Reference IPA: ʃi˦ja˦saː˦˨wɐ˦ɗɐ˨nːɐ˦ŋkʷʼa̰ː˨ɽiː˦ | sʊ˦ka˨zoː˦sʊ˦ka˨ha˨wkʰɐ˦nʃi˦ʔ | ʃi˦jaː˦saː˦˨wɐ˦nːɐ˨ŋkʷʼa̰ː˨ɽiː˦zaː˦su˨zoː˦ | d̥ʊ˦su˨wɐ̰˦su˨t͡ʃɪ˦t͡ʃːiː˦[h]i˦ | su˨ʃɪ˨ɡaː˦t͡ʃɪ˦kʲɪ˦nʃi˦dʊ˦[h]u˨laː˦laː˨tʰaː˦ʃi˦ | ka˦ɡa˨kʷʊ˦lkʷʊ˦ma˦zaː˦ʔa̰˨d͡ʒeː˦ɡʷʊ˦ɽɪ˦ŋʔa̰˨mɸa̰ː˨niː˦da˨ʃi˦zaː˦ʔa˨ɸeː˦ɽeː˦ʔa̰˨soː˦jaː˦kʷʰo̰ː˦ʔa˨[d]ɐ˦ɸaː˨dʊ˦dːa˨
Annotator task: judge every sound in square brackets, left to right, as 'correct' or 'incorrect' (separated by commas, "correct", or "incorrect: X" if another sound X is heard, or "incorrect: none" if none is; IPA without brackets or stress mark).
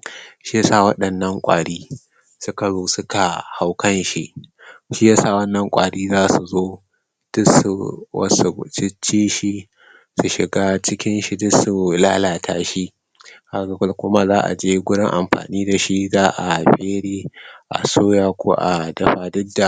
incorrect: ʃ, incorrect: s, correct